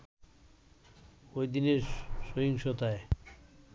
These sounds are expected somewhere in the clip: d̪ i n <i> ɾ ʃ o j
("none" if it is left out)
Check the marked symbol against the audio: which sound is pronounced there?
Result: e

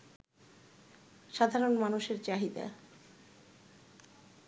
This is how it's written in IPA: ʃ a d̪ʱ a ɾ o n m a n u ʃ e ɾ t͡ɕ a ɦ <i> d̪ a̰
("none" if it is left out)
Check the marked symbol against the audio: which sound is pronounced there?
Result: i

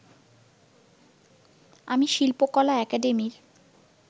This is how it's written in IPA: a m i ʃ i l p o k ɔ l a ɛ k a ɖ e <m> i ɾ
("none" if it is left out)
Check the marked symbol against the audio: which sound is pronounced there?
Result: m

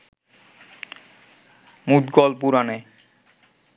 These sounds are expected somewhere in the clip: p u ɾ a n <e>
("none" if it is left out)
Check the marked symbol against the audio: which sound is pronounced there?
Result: e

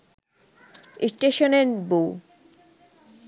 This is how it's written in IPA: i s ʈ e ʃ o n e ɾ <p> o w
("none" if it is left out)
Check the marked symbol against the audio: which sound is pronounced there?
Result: b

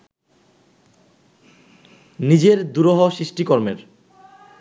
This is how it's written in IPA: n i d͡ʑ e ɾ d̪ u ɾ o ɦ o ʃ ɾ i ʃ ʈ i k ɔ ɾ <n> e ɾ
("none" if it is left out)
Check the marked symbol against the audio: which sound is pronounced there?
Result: m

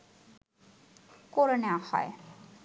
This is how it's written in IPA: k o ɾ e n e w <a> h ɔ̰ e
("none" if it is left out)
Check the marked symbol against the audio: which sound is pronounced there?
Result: a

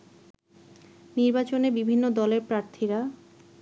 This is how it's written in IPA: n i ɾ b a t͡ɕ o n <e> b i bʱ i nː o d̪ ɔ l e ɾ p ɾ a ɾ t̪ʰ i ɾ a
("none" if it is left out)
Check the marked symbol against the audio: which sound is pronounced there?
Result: e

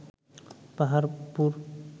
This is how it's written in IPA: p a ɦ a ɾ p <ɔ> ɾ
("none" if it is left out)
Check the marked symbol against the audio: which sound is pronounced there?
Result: u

